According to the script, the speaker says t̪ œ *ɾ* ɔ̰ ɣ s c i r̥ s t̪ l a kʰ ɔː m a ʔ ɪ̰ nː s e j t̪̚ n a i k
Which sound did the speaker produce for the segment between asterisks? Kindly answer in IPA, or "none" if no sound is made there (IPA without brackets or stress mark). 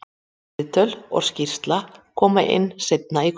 l